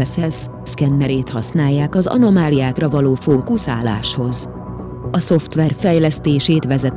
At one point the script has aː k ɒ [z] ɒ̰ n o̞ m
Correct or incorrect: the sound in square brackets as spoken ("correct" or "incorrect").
correct